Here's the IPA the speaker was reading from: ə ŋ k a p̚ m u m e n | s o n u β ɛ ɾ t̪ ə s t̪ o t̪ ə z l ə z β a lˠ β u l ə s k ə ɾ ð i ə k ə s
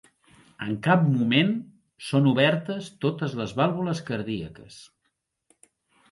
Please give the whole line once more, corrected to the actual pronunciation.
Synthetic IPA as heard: ə ŋ k a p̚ m u m e n | s o n u β ɛ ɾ t̪ ə s t̪ o t̪ ə z l ə z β a lˠ β u l ə s k ə ɾ ð i ə k ə s